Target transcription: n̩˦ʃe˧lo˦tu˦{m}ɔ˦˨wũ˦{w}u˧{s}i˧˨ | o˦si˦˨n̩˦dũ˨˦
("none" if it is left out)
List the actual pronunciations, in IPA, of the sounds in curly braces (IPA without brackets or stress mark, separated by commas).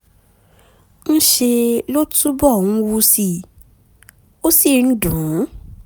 b, w, s